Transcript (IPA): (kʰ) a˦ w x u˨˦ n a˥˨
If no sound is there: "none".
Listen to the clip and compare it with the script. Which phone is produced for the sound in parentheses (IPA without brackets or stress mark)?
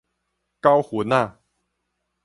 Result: k